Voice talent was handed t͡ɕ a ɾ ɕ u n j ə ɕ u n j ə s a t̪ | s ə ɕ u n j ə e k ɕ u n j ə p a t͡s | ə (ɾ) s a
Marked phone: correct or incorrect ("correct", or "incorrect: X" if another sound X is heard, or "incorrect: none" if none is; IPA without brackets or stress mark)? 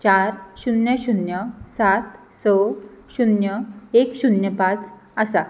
incorrect: none